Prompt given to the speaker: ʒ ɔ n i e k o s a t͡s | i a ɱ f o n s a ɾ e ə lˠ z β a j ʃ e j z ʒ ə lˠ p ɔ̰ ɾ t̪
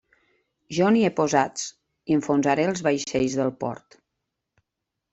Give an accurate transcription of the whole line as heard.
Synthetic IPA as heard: ʒ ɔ n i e p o z a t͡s | i ə ɱ f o n z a ɾ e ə lˠ z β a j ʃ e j z ð ə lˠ p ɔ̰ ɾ t̪